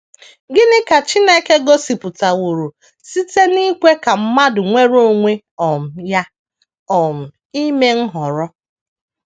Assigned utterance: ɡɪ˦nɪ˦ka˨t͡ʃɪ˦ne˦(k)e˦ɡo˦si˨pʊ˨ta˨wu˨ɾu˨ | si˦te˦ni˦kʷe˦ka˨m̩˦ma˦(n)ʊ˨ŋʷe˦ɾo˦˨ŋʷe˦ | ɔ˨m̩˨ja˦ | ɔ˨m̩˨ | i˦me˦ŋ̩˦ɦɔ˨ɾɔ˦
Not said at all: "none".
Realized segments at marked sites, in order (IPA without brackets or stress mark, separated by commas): k, d